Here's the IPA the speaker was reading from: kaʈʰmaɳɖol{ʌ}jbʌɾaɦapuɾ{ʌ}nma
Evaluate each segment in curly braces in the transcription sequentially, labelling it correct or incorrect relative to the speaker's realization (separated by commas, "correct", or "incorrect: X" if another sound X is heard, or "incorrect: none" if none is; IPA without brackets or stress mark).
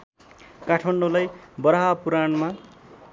incorrect: a, incorrect: a